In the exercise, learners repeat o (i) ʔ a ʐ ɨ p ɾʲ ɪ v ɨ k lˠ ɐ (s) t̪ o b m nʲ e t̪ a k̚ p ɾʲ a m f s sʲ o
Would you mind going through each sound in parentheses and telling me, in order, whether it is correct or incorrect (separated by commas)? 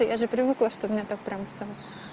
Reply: incorrect, incorrect